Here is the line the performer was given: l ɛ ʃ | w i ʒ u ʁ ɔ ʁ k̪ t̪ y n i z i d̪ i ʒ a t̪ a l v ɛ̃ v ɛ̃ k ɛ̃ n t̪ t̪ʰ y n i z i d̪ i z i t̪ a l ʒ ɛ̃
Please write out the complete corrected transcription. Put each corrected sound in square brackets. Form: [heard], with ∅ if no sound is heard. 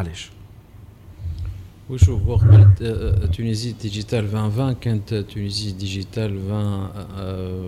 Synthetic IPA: l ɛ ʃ | w i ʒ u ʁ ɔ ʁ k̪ t̪ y n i z i d̪ i ʒ [i] t̪ a l v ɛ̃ v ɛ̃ k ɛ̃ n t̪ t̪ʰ y n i z i d̪ i [ʒ] i t̪ a l [v] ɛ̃